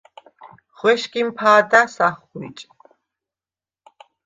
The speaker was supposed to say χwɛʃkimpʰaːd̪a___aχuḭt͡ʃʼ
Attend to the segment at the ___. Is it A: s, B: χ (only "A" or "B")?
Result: A